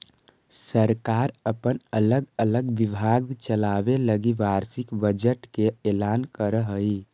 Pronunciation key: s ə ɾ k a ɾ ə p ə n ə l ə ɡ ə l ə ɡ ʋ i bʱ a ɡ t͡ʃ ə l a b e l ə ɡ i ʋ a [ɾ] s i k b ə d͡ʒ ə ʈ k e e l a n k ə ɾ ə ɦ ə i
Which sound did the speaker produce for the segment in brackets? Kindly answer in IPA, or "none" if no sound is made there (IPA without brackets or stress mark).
ɾ